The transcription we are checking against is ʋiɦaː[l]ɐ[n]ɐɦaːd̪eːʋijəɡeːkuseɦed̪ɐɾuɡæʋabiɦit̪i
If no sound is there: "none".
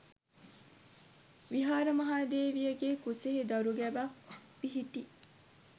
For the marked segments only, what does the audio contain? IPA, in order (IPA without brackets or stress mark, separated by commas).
ɾ, m